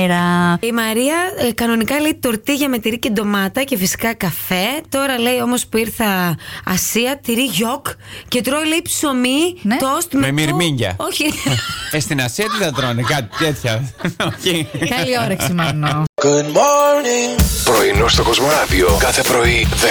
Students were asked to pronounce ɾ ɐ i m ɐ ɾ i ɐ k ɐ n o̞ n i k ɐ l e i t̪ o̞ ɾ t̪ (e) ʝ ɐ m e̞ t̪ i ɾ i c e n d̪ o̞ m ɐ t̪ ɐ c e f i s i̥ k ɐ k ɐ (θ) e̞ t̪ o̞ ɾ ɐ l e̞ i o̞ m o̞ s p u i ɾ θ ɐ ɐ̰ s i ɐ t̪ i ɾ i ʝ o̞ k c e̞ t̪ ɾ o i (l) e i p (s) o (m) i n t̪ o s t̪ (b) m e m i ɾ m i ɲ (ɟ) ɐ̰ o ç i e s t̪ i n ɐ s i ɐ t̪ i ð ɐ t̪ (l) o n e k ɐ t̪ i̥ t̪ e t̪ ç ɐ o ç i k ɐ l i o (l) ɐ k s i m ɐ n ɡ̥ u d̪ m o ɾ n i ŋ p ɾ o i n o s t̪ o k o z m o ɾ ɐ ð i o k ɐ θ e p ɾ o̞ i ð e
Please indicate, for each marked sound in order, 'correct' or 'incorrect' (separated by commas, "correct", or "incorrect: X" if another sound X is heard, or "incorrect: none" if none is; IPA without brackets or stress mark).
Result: incorrect: i, incorrect: f, correct, correct, correct, incorrect: m, correct, incorrect: ɾ, incorrect: ɾ